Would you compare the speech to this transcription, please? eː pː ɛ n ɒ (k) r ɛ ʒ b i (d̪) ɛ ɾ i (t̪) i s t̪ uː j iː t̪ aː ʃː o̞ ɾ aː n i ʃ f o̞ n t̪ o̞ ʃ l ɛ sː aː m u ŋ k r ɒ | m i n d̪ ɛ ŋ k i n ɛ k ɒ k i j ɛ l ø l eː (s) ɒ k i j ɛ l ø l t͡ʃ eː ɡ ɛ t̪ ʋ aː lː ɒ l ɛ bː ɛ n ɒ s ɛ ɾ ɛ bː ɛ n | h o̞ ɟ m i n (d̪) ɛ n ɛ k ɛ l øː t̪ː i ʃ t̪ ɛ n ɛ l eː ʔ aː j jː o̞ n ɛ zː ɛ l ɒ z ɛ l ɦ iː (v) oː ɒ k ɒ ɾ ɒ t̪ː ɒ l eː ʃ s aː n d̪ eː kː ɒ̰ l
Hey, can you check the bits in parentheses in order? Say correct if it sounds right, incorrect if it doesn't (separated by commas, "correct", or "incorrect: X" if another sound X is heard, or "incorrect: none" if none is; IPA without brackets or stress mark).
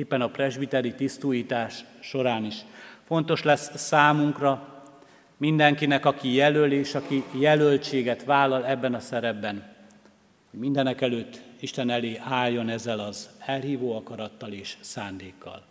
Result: incorrect: p, incorrect: t̪, correct, incorrect: ʃ, correct, correct